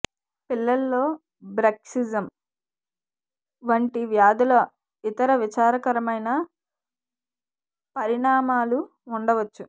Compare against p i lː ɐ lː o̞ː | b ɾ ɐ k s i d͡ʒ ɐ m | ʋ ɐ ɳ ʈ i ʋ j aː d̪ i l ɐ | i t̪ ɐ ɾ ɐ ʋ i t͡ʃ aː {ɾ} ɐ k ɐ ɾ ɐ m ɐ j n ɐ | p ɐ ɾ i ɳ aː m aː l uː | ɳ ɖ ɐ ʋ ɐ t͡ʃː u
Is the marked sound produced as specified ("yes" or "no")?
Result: yes